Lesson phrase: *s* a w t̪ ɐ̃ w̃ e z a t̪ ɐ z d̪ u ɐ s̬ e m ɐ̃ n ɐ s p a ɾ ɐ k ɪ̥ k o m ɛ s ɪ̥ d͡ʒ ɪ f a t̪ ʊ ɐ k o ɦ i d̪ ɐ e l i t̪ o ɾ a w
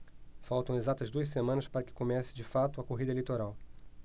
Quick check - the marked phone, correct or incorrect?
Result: incorrect